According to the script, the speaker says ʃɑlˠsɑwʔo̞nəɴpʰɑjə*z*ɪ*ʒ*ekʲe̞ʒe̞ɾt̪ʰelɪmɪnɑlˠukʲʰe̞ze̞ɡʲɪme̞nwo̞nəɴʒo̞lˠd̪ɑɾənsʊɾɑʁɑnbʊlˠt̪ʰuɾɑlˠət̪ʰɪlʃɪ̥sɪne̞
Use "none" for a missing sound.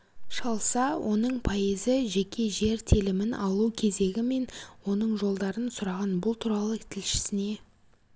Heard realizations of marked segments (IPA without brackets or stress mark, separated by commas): z, ʒ